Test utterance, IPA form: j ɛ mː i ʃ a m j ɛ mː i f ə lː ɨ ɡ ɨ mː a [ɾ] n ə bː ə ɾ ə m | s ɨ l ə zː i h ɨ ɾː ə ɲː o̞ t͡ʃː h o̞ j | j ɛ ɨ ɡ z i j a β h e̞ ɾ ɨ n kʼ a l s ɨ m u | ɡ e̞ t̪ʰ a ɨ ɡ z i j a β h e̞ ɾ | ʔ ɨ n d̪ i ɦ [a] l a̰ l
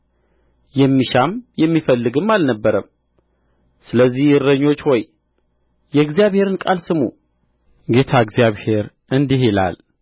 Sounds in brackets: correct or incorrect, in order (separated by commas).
incorrect, incorrect